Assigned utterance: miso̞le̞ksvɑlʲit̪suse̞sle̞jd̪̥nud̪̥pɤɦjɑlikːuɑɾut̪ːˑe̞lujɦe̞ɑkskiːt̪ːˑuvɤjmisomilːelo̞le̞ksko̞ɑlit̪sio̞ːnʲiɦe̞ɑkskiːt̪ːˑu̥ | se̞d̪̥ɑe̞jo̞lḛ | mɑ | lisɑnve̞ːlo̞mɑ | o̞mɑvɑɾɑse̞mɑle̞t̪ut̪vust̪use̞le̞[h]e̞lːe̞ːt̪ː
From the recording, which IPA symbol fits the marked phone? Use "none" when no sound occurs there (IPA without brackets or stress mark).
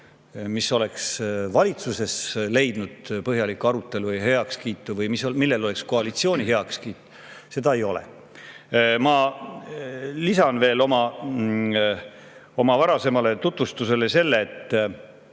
s